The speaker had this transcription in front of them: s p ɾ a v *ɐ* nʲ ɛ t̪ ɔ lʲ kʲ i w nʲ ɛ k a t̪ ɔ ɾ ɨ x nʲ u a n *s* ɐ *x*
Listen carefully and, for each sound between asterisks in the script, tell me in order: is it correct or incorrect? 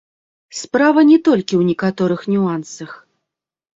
correct, correct, correct

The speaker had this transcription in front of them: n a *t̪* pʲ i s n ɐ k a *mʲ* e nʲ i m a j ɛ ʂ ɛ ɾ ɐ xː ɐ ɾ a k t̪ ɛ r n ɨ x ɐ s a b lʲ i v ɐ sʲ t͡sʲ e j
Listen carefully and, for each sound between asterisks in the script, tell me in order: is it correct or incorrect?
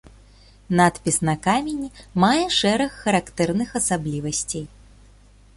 correct, correct

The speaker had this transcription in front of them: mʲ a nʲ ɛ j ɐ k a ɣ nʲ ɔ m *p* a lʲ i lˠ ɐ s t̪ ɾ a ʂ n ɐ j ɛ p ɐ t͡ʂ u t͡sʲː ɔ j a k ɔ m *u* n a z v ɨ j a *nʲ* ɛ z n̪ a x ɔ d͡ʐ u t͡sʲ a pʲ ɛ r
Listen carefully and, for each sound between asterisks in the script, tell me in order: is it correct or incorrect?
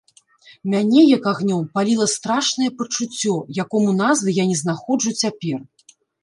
correct, correct, correct

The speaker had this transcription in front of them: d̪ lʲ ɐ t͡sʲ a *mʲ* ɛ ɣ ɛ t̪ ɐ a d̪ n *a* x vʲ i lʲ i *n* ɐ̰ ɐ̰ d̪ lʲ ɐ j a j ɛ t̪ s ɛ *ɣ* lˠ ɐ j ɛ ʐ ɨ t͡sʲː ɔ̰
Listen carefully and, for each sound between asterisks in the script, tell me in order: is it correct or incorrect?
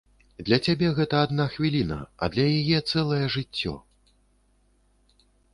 incorrect, correct, correct, incorrect

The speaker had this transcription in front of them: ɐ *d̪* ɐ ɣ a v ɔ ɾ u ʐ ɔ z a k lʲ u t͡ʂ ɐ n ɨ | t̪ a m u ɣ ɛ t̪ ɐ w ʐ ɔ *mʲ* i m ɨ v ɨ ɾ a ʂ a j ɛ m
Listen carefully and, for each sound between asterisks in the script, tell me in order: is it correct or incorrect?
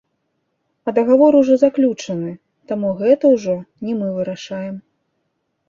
correct, incorrect

